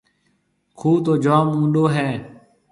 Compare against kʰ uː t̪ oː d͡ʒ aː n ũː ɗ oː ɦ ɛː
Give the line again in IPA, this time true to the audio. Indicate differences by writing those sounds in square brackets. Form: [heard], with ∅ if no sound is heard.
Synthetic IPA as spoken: kʰ uː t̪ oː d͡ʒ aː [m] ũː ɗ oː ɦ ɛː